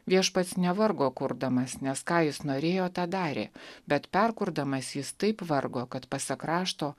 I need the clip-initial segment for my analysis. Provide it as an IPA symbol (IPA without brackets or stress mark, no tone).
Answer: ʋʲ